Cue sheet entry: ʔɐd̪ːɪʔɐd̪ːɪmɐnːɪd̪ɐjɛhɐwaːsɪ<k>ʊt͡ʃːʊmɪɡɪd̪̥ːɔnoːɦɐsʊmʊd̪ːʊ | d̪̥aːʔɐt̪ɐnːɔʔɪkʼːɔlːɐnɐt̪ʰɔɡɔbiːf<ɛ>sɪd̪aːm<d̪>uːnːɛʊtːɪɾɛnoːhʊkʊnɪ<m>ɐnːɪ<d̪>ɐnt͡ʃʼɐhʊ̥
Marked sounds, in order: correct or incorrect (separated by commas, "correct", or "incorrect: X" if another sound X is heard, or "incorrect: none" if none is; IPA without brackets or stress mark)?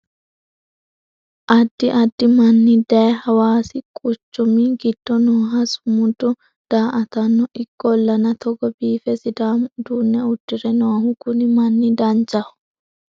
incorrect: kʼ, correct, correct, correct, correct